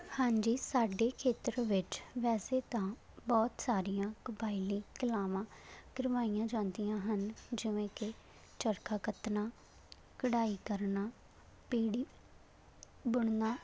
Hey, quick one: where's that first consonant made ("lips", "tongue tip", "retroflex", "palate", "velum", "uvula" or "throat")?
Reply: throat